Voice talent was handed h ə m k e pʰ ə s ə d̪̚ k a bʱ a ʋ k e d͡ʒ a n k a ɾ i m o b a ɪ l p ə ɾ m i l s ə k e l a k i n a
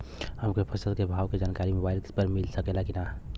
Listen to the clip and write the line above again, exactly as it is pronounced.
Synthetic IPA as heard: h ə m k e pʰ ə s ə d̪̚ k e bʱ a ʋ k e d͡ʒ a n k a ɾ i m o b a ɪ l p ə ɾ m i l s ə k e l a k i n a